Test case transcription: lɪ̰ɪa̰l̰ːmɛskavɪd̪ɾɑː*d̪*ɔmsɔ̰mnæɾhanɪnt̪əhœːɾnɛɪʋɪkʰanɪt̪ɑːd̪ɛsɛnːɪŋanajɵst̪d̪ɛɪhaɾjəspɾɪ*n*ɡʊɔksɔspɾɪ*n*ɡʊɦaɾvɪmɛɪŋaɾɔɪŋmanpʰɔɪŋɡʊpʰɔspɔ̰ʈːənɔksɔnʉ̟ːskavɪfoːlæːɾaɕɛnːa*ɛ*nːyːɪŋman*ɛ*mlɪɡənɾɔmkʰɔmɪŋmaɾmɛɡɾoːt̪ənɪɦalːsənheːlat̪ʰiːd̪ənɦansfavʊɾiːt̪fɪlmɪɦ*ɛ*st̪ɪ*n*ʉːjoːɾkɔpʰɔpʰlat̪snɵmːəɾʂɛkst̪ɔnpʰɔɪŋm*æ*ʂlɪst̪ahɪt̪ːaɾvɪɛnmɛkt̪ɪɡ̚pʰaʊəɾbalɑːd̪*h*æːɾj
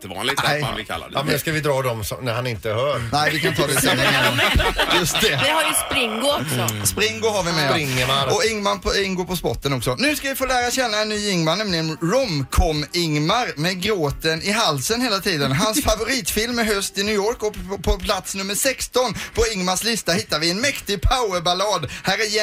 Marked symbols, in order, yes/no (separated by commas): yes, no, no, yes, yes, no, yes, no, yes